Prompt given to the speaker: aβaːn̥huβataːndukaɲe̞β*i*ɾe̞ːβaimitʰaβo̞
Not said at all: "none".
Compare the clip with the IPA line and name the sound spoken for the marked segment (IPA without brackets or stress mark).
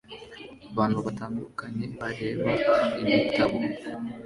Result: a